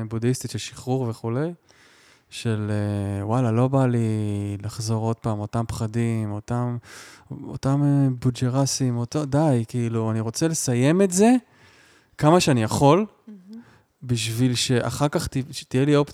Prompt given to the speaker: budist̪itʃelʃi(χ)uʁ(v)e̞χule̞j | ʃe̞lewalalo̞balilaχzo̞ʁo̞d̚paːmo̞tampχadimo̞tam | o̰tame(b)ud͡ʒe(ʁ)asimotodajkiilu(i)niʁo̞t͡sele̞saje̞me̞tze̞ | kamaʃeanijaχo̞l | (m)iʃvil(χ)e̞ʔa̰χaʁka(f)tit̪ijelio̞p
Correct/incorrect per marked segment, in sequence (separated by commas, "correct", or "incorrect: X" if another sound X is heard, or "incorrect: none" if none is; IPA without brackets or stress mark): correct, correct, correct, correct, incorrect: a, incorrect: b, incorrect: ʃ, incorrect: χ